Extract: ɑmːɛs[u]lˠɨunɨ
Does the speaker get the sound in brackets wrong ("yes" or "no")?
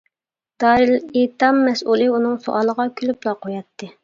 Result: no